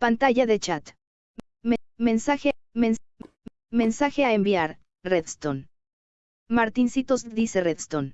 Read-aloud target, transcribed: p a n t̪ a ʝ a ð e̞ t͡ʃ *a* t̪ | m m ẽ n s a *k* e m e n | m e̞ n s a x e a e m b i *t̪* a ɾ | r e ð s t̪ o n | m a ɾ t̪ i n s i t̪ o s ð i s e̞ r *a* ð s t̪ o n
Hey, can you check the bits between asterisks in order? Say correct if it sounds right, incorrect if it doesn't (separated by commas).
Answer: correct, incorrect, incorrect, incorrect